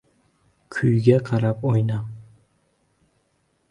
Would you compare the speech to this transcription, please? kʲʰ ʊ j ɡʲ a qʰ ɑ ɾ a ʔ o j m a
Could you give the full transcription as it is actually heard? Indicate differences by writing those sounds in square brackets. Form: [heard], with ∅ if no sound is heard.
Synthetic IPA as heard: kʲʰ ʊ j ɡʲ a qʰ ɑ ɾ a [p] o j [n] a